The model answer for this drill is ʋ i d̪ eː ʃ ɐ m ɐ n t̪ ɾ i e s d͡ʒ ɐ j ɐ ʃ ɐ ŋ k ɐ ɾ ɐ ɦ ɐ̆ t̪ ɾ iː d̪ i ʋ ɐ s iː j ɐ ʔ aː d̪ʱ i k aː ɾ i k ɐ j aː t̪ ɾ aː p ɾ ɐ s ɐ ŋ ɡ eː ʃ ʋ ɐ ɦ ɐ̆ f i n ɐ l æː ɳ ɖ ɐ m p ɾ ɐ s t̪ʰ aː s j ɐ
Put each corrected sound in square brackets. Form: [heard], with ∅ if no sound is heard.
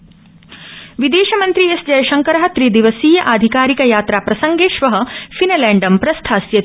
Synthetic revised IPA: ʋ i d̪ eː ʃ ɐ m ɐ n t̪ ɾ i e s d͡ʒ ɐ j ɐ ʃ ɐ ŋ k ɐ ɾ ɐ ɦ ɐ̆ t̪ ɾ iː d̪ i ʋ ɐ s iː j ɐ ʔ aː d̪ʱ i k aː ɾ i k ɐ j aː t̪ ɾ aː p ɾ ɐ s ɐ ŋ ɡ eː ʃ ʋ ɐ ɦ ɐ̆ f i n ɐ l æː ɳ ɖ ɐ m p ɾ ɐ s t̪ʰ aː s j ɐ